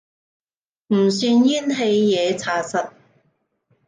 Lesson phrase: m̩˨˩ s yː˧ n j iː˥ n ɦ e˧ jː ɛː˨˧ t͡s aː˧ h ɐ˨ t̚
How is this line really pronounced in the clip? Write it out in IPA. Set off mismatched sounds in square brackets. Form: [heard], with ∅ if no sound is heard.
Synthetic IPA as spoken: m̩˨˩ s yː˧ n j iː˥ n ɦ e˧ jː ɛː˨˧ [t͡sʰ] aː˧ [s] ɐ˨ t̚